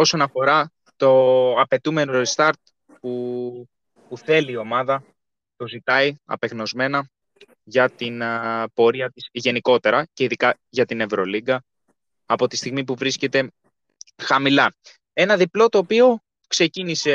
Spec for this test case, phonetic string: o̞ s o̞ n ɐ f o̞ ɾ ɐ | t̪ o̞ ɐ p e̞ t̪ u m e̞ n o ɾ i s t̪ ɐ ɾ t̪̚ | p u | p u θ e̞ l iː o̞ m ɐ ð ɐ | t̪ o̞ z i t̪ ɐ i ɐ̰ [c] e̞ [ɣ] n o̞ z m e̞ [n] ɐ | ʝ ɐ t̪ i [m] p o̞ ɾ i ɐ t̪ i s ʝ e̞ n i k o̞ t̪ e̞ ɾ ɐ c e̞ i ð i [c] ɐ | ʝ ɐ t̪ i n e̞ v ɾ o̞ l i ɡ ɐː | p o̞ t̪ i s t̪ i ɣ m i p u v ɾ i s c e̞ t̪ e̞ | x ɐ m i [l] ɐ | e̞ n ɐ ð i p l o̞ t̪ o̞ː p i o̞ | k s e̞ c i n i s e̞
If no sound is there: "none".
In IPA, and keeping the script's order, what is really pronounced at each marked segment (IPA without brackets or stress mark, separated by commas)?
p, ɣ, n, n, k, l